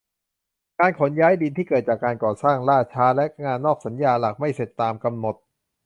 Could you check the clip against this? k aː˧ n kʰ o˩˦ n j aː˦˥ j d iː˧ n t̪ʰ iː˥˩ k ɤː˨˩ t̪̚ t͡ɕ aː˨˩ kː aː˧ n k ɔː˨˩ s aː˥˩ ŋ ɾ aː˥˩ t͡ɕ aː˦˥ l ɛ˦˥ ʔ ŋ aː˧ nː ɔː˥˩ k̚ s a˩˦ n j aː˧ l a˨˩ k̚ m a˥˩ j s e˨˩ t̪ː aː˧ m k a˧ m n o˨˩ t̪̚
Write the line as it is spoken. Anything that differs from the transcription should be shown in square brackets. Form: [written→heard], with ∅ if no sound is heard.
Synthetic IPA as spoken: k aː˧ n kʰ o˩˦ n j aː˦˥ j d [iː˧→i˧] n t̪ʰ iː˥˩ k ɤː˨˩ t̪̚ t͡ɕ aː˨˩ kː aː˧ n k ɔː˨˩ s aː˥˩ ŋ ɾ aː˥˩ [t͡ɕ→t͡ɕʰ] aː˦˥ l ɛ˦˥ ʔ ŋ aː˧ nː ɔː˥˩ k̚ s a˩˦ n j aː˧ l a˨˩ k̚ m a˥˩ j s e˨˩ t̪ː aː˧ m k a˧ m n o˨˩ t̪̚